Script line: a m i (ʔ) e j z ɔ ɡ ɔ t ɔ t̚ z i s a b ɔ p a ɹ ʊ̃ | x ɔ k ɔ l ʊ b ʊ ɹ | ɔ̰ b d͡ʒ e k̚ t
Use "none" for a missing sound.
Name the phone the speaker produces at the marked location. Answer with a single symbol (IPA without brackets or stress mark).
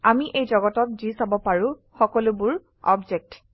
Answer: ʔ